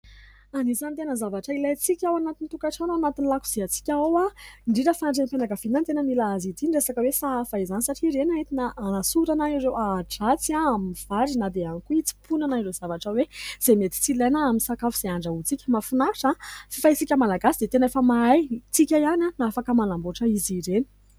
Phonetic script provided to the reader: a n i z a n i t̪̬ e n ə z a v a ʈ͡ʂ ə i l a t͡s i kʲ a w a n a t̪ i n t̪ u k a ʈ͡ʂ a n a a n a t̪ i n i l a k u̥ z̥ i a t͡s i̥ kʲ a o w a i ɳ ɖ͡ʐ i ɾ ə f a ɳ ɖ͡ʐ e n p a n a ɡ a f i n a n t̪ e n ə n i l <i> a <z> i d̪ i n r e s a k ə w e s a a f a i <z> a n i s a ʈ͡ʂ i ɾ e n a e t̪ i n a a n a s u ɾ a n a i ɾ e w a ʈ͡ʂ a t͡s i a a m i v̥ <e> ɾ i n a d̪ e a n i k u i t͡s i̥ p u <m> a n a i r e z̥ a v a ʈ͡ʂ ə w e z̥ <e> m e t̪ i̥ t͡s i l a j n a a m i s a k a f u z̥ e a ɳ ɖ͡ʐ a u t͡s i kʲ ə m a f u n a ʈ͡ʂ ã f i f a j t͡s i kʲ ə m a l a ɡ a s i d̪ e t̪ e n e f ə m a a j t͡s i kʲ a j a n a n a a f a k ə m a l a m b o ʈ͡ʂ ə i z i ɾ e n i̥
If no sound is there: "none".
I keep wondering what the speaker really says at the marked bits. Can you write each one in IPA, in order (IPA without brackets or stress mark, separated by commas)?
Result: a, z, z, a, n, e